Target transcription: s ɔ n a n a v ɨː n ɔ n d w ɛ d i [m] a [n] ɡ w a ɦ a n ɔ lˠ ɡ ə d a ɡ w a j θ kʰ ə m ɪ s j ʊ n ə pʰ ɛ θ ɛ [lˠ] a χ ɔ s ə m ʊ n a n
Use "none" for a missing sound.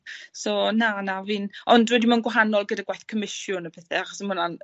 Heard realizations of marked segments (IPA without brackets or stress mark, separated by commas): m, n, none